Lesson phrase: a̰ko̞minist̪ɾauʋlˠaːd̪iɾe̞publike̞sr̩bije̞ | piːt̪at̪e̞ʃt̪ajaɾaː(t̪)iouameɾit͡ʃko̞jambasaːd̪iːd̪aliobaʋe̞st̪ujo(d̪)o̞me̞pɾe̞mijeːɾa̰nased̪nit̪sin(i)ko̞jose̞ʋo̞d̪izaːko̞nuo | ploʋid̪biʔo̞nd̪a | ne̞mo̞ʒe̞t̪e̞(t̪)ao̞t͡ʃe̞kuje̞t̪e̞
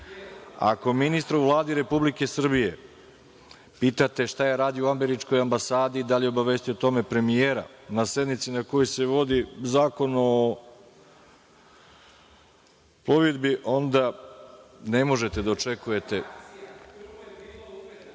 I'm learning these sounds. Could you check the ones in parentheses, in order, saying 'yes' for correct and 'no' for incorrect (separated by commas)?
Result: no, no, no, no